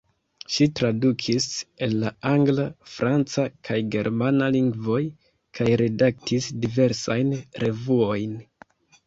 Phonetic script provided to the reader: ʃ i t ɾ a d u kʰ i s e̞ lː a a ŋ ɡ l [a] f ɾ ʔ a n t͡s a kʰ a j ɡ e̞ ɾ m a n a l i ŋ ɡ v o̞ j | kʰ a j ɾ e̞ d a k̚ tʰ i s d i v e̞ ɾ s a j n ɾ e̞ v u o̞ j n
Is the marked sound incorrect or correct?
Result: correct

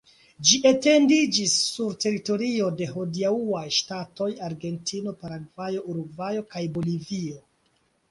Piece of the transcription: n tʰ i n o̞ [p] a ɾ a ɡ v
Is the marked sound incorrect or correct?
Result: correct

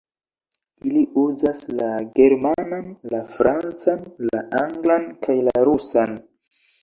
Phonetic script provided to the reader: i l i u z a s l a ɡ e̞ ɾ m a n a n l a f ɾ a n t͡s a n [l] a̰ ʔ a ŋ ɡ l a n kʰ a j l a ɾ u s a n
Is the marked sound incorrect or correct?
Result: correct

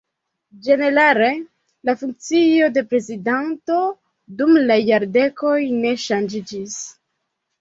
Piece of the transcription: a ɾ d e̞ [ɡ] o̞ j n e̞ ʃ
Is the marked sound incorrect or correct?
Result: incorrect: k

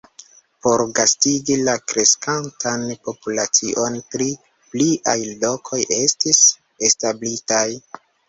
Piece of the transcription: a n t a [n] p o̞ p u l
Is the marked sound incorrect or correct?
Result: correct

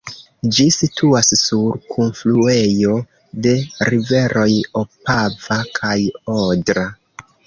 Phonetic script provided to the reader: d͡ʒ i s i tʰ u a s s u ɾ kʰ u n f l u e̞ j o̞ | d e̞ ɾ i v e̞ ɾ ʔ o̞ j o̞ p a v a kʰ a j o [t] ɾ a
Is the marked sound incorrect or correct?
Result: incorrect: d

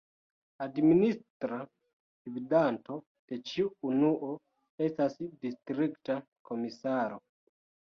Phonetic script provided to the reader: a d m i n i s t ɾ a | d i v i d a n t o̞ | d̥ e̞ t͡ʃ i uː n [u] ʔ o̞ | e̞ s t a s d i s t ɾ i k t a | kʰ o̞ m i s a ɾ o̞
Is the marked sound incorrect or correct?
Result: correct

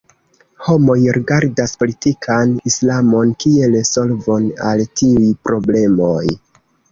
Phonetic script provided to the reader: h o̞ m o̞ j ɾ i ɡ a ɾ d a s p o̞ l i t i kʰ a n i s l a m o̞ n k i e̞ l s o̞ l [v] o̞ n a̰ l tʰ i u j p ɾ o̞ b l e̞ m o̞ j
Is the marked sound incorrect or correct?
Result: correct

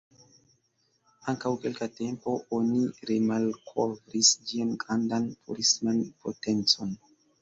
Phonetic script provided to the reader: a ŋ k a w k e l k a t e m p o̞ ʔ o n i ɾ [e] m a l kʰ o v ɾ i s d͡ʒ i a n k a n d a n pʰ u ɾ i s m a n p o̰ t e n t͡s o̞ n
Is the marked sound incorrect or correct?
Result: correct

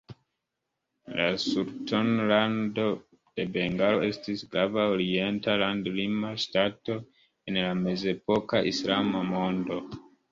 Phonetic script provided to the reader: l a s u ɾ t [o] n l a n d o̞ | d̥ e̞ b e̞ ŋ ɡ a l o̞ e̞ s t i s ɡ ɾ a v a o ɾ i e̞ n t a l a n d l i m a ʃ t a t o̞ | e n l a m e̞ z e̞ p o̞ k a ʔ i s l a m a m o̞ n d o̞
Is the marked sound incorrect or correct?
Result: correct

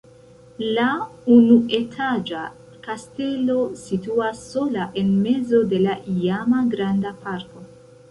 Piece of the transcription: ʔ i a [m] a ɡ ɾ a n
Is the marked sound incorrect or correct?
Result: correct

